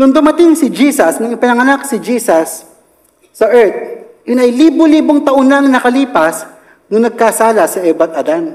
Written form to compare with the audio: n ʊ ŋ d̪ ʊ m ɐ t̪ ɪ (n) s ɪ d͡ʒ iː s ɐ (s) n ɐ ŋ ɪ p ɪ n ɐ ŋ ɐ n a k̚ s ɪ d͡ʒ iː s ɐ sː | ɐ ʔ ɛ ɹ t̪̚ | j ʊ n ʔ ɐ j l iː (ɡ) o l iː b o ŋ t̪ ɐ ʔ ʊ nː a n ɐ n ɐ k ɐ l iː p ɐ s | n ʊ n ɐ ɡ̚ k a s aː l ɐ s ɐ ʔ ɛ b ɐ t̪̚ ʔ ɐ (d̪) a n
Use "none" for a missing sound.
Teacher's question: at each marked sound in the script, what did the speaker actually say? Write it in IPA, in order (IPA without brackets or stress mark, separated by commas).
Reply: ŋ, s, b, d̪